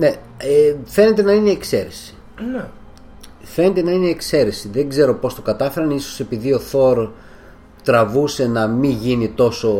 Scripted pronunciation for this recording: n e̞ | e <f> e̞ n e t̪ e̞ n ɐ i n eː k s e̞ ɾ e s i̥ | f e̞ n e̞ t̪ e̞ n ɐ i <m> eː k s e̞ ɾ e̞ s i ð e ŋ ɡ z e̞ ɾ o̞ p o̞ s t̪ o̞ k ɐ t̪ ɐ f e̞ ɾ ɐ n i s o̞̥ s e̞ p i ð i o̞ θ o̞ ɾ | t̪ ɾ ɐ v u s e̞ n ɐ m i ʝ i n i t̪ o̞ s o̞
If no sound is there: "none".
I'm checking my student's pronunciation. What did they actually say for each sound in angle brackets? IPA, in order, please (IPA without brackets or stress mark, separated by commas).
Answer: f, n